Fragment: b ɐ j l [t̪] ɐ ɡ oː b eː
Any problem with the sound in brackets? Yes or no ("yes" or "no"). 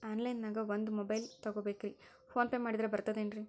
no